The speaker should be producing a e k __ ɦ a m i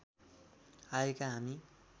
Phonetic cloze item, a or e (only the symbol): a